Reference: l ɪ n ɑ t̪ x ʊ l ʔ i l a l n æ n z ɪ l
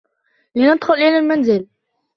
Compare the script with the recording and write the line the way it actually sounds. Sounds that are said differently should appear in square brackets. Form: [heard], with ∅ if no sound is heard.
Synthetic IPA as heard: l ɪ n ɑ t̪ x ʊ l ʔ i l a l [m] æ n z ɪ l